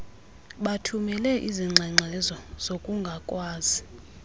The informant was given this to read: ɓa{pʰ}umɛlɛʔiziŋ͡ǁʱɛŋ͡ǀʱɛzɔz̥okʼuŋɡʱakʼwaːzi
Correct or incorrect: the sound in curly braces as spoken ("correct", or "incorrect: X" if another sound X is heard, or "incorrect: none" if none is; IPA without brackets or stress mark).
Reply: incorrect: tʰ